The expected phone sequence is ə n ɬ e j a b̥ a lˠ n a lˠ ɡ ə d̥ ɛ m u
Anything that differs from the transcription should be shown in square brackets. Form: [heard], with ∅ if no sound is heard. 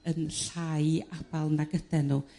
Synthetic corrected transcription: ə n ɬ [a] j a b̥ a lˠ n a [∅] ɡ ə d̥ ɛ [n] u